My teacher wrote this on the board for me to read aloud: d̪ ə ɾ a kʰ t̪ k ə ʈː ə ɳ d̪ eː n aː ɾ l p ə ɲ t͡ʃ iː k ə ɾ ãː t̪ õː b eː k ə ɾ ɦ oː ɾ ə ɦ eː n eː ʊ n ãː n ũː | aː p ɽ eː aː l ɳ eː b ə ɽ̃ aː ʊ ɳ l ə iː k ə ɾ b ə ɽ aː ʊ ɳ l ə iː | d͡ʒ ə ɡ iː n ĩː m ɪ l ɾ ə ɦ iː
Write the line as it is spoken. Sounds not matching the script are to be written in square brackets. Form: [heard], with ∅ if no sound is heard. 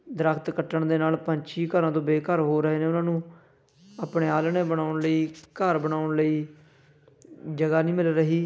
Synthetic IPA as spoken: d̪ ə ɾ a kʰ t̪ k ə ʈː ə ɳ d̪ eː n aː [∅] l p ə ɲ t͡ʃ iː k ə ɾ ãː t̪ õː b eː k ə ɾ ɦ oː ɾ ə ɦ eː n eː ʊ n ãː n ũː | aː p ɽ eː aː l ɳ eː b ə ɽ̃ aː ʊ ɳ l ə iː k ə ɾ b ə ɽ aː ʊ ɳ l ə iː | d͡ʒ ə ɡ [aː] n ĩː m ɪ l ɾ ə ɦ iː